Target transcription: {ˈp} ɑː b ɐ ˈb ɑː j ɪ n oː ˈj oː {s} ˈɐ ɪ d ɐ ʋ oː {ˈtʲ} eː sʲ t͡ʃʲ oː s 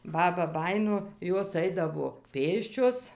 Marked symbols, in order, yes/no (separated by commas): no, yes, no